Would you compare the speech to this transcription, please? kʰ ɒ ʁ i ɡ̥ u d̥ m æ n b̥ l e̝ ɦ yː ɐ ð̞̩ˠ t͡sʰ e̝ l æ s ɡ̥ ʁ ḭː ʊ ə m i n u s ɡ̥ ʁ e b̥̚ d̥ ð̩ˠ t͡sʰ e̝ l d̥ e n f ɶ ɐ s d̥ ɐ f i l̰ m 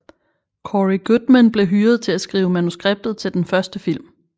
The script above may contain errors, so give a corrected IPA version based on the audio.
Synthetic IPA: kʰ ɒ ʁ i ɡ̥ u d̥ m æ n b̥ l e̝ ɦ yː ɐ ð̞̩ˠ t͡sʰ e̝ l æ s ɡ̥ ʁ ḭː ʊ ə m æ n u s ɡ̥ ʁ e b̥̚ d̥ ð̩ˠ t͡sʰ e̝ l d̥ e n f ɶ ɐ s d̥ ə f i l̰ m

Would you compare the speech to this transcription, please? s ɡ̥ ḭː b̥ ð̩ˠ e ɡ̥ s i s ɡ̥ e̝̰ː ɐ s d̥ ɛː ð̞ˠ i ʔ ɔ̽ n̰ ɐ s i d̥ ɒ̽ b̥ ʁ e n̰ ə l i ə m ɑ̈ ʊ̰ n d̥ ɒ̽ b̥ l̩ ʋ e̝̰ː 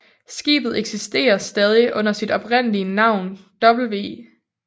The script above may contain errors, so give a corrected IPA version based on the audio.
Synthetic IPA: s ɡ̥ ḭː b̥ ð̩ˠ e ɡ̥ s i s d̥ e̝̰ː ɐ s d̥ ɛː ð̞ˠ i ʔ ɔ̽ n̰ ɐ s i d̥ ɒ̽ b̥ ʁ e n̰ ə l i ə n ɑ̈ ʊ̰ n d̥ ɒ̽ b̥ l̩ ʋ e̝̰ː

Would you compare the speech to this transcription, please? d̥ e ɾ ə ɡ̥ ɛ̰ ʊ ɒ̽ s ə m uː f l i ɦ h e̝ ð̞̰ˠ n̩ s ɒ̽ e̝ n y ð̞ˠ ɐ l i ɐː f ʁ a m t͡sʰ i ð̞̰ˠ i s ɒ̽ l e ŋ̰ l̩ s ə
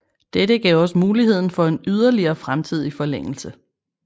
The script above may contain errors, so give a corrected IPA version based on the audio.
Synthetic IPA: d̥ e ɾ ə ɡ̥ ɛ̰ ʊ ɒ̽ s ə m uː l i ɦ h e̝ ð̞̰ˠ n̩ f ɒ̽ e̝ n y ð̞ˠ ɐ l i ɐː f ʁ a m t͡sʰ i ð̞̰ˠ i f ɒ̽ l e ŋ̰ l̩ s ə

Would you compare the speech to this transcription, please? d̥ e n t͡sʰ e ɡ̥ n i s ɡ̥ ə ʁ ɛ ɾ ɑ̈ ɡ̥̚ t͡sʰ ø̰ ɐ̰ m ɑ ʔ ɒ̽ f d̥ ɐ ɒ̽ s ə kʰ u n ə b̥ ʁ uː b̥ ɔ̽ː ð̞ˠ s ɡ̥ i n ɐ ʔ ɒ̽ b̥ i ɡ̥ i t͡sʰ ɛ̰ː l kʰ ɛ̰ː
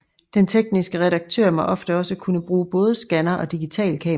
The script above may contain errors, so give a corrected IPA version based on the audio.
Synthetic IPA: d̥ e n t͡sʰ e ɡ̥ n i s ɡ̥ ə ʁ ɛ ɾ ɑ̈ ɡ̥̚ t͡sʰ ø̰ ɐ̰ m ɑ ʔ ɒ̽ f d̥ ə ɒ̽ s ə kʰ u n ə b̥ ʁ uː b̥ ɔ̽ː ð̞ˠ s ɡ̥ æ n ɐ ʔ ɒ̽ d̥ i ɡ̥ i t͡sʰ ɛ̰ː l kʰ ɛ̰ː

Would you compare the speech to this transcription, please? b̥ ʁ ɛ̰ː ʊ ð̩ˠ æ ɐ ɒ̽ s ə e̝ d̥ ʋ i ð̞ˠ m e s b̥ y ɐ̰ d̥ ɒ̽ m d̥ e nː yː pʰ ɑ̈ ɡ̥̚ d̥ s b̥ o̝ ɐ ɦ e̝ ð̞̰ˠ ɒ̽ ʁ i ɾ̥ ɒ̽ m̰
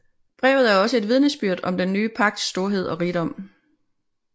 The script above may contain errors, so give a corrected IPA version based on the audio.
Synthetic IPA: b̥ ʁ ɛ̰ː ʊ ð̩ˠ æ ɐ ɒ̽ s ə e̝ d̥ ʋ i ð̞ˠ n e s b̥ y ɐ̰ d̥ ɒ̽ m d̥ e nː yː pʰ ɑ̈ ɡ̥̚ d̥ s d̥ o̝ ɐ ɦ e̝ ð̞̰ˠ ɒ̽ ʁ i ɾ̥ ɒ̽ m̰

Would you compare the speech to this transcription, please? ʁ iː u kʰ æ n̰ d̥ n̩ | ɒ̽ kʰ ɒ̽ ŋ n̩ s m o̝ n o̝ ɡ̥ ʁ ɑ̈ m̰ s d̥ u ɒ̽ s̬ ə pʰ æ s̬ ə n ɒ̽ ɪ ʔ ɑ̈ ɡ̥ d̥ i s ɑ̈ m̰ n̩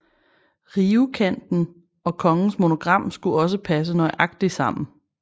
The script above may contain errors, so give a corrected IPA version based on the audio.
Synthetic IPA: ʁ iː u kʰ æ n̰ d̥ n̩ | ɒ̽ kʰ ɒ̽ ŋ n̩ s m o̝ n o̝ ɡ̥ ʁ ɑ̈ m̰ s ɡ̥ u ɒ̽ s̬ ə pʰ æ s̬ ə n ɒ̽ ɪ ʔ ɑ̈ ɡ̥ d̥ i s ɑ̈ m̰ n̩

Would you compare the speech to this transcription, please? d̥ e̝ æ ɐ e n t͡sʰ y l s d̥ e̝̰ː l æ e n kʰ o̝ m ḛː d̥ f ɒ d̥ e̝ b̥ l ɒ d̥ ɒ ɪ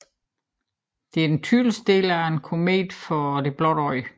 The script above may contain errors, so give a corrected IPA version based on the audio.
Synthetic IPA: d̥ e̝ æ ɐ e n t͡sʰ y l s d̥ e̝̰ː l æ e n kʰ o̝ m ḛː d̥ f ɒ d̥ e̝ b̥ l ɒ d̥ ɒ ɪ

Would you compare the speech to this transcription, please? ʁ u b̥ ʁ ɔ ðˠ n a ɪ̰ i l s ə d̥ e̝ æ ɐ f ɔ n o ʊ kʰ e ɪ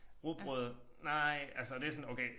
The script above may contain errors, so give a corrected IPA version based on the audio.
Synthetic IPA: ʁ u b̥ ʁ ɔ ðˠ n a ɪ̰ æ l s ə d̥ e̝ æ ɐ s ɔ n o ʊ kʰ e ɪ

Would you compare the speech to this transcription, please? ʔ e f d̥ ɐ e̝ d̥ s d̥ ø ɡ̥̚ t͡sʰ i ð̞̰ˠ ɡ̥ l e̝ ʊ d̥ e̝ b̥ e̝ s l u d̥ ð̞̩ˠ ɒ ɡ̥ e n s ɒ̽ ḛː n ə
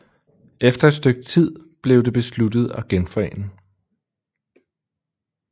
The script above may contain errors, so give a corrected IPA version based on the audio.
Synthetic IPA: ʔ e f d̥ ɐ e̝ d̥ s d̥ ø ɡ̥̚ t͡sʰ i ð̞̰ˠ b̥ l e̝ ʊ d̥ e̝ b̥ e̝ s l u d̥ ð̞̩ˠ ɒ ɡ̥ e n f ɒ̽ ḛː n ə

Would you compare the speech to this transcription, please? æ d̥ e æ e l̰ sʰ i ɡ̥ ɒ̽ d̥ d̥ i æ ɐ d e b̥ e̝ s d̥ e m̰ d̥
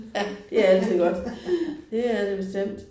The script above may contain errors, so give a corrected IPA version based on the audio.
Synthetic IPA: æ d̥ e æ æ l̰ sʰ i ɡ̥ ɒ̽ d̥ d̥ e æ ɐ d e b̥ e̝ s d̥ e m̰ d̥

